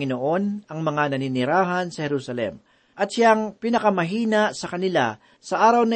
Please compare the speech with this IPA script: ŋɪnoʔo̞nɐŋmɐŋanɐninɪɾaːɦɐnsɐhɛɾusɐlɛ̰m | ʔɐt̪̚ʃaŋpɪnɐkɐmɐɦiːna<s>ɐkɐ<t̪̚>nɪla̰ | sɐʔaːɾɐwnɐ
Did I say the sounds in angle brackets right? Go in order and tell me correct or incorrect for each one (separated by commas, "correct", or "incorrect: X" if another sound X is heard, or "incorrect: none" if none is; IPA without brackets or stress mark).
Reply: correct, incorrect: none